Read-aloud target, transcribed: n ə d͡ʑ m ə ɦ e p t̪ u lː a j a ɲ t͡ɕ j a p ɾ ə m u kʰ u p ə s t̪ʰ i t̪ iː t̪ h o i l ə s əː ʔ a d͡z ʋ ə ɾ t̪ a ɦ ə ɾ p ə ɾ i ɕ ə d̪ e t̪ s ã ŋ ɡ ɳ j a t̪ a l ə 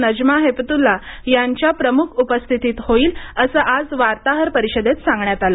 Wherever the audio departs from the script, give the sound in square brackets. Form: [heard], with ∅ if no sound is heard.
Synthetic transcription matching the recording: n ə d͡ʑ m [a] ɦ e p t̪ u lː a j a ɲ t͡ɕ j a p ɾ ə m u kʰ u p ə s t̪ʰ i t̪ iː t̪ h o [iː] l ə s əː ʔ a d͡z ʋ [a] ɾ t̪ a ɦ ə ɾ p ə ɾ i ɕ ə d̪ e t̪ s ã ŋ ɡ ɳ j a t̪ a l ə

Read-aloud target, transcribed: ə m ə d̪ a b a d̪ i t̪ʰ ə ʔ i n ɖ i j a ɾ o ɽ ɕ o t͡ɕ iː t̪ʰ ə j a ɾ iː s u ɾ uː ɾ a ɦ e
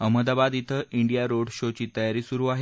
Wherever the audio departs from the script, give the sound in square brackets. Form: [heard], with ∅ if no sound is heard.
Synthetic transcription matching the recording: ə m ə d̪ a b a d̪ i t̪ʰ ə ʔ i [ɳ] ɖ i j a ɾ o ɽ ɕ o t͡ɕ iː [t̪] ə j a ɾ iː s u ɾ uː [∅] a ɦ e

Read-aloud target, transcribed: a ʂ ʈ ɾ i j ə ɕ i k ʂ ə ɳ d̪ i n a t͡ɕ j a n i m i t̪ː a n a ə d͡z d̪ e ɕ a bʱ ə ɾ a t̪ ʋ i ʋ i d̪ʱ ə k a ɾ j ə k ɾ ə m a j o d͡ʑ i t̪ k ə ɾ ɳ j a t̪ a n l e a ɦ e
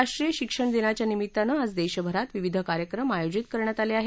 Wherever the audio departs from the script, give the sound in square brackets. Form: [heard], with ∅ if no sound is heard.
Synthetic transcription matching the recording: a ʂ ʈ ɾ i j ə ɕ i k ʂ ə ɳ d̪ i n a t͡ɕ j a n i m i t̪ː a n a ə d͡z d̪ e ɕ [ə] bʱ ə ɾ a t̪ ʋ i ʋ i d̪ʱ ə k a ɾ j ə k ɾ ə m a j o d͡ʑ i t̪ k ə ɾ ɳ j a t̪ a [∅] l e a ɦ e

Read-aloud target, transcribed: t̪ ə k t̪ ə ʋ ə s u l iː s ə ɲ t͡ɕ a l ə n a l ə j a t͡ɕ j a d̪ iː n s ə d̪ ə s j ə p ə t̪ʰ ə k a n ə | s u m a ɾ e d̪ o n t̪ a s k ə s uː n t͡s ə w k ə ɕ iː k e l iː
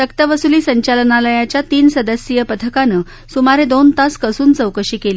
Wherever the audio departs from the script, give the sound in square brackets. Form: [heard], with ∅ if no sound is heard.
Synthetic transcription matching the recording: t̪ ə k t̪ ə ʋ ə s u l iː s ə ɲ t͡ɕ a l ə n a l ə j a t͡ɕ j a [t̪] iː n s ə d̪ ə s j ə p ə t̪ʰ ə k a n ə | s u m a ɾ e d̪ o n t̪ a s k ə s uː n t͡s ə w k ə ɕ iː k e l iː

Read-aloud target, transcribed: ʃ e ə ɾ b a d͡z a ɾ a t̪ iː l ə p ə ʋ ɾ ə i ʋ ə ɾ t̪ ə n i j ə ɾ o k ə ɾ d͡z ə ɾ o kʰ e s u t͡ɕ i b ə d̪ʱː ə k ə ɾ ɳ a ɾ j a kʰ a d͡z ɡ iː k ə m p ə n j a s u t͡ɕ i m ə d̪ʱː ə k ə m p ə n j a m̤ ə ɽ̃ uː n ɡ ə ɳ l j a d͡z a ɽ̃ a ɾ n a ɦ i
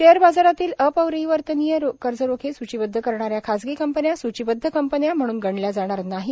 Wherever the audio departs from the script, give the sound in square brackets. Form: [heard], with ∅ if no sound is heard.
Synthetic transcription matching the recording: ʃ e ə ɾ b a d͡z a ɾ a t̪ iː l ə p ə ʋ ɾ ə i ʋ ə ɾ t̪ ə n i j ə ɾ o k ə ɾ d͡z ə ɾ o kʰ e s u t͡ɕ i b ə d̪ʱː ə k ə ɾ ɳ a ɾ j a kʰ a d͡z ɡ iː k ə m p ə n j a s u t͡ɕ i [b] ə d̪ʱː ə k ə m p ə n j a m̤ ə ɽ̃ uː n ɡ ə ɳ l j a d͡z a ɽ̃ a ɾ n a ɦ i

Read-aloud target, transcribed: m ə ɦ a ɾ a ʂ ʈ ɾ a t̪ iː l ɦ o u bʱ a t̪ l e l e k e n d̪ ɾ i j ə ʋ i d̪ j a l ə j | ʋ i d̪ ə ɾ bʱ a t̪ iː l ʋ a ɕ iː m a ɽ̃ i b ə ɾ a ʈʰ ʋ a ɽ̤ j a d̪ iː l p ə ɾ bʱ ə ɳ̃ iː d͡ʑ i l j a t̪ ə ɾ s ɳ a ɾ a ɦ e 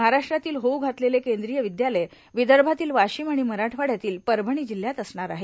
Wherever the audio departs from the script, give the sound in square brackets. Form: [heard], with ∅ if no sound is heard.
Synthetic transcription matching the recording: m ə ɦ a ɾ a ʂ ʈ ɾ a t̪ iː l ɦ o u [ɡʱ] a t̪ l e l e k e n d̪ ɾ i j ə ʋ i d̪ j a l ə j | ʋ i d̪ ə ɾ bʱ a t̪ iː l ʋ a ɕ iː m a ɽ̃ i [m] ə ɾ a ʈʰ ʋ a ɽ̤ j a [t̪] iː l p ə ɾ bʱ ə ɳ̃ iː d͡ʑ i l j a t̪ ə [∅] s ɳ a ɾ a ɦ e

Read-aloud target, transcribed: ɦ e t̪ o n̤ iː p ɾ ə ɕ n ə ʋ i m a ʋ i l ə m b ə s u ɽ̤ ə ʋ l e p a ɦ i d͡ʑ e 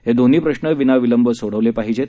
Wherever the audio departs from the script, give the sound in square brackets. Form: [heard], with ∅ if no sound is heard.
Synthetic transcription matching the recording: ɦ e [d̪] o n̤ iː p ɾ ə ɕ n ə ʋ i [n] a ʋ i l ə m b ə s [o] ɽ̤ ə ʋ l e p a ɦ i d͡ʑ e

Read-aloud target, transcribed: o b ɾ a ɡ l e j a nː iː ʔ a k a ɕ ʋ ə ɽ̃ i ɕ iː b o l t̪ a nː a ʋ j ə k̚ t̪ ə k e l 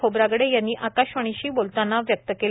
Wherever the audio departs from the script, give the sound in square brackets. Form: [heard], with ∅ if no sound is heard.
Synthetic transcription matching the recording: o b ɾ a ɡ [ɽ] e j a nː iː ʔ a k a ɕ ʋ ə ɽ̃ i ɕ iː b o l t̪ a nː a ʋ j ə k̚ t̪ ə k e l

